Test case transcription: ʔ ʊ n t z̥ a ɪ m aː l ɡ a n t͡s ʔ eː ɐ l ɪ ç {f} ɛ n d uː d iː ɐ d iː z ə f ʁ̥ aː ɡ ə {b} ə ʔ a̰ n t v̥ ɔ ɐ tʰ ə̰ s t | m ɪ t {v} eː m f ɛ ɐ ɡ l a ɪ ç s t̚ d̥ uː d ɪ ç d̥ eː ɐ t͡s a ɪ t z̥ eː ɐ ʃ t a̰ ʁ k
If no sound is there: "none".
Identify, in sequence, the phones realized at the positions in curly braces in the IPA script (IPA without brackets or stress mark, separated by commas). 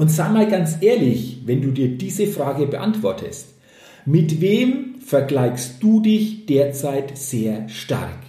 v, b, v